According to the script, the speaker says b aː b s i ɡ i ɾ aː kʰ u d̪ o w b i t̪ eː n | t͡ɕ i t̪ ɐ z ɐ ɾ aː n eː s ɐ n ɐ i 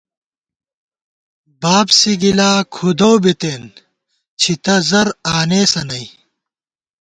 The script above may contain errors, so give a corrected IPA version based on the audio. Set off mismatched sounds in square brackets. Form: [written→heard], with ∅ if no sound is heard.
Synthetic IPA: b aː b s i ɡ i [ɾ→l] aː kʰ u d̪ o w b i t̪ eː n | [t͡ɕ→t͡ɕʰ] i t̪ ɐ z ɐ ɾ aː n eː s ɐ n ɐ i